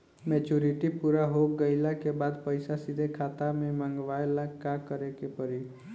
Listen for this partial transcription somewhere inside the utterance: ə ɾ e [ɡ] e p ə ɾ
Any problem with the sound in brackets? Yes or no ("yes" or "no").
yes